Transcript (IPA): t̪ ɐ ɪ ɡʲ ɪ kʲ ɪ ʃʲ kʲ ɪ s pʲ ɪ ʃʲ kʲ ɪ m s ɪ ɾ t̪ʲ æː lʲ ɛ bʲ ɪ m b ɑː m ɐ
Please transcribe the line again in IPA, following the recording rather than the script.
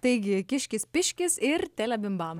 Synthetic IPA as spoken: t̪ ɐ ɪ ɡʲ ɪ kʲ ɪ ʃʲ kʲ ɪ s pʲ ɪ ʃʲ kʲ ɪ s ɪ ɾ t̪ʲ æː lʲ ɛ bʲ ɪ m b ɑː m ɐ